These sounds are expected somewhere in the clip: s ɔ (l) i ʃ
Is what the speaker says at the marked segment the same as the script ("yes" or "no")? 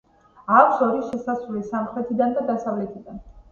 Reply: no